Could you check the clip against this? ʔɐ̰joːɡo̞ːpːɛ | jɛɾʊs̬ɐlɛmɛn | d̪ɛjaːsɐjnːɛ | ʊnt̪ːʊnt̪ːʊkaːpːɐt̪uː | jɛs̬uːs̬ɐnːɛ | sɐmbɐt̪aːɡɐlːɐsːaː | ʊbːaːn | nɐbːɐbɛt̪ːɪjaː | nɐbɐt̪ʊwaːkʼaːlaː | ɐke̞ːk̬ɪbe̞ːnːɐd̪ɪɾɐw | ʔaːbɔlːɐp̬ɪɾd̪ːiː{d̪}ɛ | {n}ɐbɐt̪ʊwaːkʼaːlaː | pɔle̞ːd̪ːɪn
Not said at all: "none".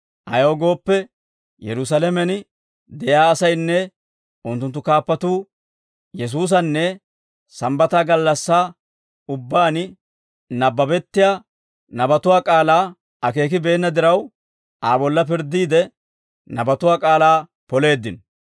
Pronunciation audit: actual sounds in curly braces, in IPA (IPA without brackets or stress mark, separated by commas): d̪, n